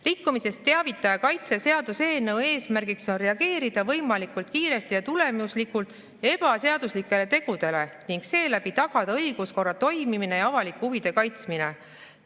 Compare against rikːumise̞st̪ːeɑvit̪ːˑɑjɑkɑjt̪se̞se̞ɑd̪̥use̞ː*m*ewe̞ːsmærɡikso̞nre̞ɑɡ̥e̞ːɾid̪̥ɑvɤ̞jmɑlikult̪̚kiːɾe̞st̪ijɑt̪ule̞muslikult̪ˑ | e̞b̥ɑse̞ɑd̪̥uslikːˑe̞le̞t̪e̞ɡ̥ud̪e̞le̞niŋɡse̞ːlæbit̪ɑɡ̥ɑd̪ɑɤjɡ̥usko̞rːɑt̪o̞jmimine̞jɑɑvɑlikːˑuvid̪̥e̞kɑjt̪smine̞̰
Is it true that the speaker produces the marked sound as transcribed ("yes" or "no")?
no